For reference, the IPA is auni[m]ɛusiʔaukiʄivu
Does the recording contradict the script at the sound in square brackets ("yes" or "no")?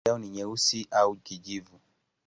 yes